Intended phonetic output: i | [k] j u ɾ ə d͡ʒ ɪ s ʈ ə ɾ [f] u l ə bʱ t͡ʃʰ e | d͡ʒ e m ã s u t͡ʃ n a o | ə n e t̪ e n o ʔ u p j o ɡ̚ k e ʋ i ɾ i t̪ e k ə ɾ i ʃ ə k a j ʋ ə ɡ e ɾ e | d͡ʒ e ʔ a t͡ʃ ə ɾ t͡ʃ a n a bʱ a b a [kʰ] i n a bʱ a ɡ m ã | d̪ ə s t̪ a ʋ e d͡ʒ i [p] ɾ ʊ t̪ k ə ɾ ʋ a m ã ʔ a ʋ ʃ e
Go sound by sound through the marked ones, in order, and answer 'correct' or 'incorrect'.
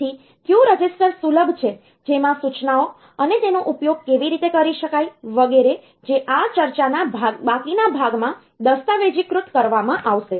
correct, incorrect: s, incorrect: k, incorrect: k

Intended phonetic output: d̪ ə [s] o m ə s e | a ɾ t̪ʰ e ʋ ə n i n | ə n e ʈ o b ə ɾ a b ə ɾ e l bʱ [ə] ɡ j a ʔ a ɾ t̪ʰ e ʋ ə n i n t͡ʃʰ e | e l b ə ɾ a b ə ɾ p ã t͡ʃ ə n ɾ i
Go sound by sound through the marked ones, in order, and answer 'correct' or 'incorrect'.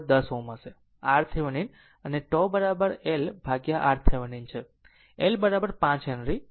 correct, incorrect: a

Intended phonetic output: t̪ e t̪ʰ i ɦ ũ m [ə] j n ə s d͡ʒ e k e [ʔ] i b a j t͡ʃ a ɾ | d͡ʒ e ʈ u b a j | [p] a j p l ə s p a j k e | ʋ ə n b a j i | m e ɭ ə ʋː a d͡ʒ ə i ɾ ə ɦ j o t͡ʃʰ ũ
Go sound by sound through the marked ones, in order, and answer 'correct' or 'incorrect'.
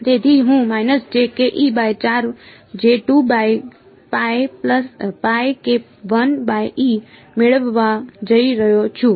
incorrect: a, correct, correct

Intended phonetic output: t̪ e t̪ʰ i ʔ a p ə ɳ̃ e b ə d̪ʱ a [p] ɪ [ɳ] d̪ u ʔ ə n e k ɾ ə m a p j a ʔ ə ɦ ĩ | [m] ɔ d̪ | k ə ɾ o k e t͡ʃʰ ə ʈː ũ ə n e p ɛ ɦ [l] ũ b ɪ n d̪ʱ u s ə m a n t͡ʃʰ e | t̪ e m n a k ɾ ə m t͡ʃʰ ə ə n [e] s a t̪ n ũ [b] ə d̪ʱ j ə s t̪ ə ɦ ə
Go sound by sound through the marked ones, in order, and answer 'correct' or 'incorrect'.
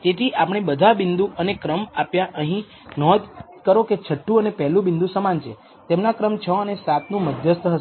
incorrect: b, incorrect: n, incorrect: n, correct, correct, incorrect: m

